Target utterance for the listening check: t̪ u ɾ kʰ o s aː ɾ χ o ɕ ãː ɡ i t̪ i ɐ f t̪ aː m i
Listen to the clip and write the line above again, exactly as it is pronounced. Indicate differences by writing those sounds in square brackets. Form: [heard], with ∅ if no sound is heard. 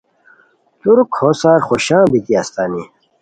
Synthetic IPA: t̪ u ɾ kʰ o s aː ɾ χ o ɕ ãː [b] i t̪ i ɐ [s] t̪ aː [n] i